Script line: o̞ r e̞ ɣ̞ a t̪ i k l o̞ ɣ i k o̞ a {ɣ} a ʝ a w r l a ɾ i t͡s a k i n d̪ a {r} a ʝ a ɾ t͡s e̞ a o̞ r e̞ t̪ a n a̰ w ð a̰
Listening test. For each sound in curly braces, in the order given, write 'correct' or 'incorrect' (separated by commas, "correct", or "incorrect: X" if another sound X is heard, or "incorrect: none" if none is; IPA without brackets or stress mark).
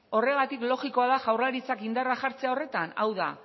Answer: incorrect: ð, correct